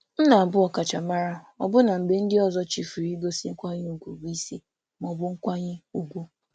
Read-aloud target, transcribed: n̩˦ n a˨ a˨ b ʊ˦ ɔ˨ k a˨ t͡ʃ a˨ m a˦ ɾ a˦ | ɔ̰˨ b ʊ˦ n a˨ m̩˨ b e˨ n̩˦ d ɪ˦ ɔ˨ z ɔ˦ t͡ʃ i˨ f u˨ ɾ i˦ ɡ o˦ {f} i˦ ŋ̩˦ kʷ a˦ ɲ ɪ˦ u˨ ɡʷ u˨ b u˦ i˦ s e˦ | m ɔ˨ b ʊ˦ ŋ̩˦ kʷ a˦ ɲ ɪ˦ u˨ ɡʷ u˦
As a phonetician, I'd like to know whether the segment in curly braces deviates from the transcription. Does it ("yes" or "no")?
yes